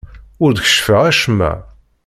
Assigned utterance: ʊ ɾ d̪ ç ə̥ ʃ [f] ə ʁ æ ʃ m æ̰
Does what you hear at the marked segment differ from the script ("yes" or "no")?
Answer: no